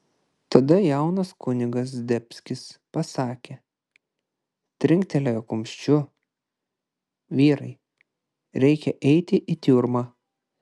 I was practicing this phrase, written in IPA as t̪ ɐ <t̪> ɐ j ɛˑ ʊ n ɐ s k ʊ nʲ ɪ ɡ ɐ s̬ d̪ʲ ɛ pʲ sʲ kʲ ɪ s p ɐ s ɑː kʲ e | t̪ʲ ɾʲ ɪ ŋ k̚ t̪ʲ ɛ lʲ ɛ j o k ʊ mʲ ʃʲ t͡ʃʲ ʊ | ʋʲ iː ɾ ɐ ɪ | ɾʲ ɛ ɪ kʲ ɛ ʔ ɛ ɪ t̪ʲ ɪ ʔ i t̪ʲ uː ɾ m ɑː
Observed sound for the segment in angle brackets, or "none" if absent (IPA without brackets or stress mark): d̪